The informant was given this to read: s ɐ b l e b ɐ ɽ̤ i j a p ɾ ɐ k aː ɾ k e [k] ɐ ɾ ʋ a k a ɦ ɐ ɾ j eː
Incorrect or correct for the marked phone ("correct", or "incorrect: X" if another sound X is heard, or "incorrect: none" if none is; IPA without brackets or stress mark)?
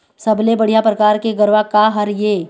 incorrect: ɡ